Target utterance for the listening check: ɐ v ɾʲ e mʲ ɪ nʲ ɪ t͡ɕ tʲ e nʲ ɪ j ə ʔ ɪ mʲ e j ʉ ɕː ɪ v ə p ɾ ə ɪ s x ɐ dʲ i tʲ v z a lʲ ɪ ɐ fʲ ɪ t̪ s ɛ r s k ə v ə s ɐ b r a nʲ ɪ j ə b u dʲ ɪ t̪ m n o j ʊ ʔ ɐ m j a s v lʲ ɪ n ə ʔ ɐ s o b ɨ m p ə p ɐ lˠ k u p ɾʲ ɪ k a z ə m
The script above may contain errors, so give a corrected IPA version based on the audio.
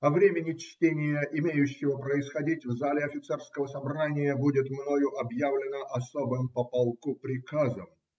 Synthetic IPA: ɐ v ɾʲ e mʲ ɪ nʲ ɪ t͡ɕ tʲ e nʲ ɪ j ə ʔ ɪ mʲ e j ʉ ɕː ɪ v ə p ɾ ə ɪ s x ɐ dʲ i tʲ v z a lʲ ɪ ɐ fʲ ɪ t̪ s ɛ r s k ə v ə s ɐ b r a nʲ ɪ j ə b u dʲ ɪ t̪ m n o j ʊ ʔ ɐ b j a v lʲ ɪ n ə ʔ ɐ s o b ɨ m p ə p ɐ lˠ k u p ɾʲ ɪ k a z ə m